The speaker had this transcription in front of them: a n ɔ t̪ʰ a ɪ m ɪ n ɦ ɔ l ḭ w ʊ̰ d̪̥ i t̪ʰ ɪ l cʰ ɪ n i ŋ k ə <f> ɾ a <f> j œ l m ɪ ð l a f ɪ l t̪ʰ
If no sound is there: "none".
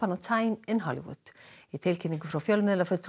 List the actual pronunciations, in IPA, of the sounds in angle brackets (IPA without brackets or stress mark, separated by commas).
f, f